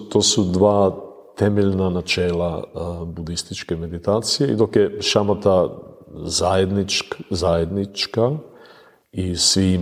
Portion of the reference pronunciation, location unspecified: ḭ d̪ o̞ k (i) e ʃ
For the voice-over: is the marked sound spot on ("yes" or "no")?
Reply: no